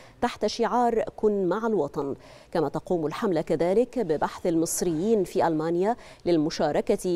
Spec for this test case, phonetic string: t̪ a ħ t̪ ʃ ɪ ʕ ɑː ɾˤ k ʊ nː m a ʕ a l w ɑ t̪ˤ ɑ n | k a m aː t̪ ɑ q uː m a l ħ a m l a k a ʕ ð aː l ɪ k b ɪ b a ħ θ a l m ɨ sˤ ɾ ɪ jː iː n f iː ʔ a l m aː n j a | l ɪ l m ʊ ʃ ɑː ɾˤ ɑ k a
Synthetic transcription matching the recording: t̪ a ħ t̪ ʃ ɪ ʕ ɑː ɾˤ k ʊ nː m a ʕ a l w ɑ t̪ˤ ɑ n | k a m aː t̪ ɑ q uː m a l ħ a m l a k a ð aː l ɪ k b ɪ b a ħ θ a l m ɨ sˤ ɾ ɪ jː iː n f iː ʔ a l m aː n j a | l ɪ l m ʊ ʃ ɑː ɾˤ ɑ k a